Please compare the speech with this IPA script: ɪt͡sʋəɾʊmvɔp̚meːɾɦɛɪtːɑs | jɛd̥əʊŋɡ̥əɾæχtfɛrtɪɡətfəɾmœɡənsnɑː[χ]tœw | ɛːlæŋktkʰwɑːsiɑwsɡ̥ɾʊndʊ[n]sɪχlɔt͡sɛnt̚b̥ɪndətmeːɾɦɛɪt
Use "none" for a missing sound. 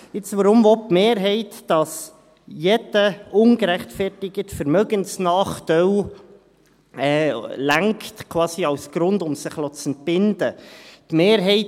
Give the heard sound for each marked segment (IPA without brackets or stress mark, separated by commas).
χ, m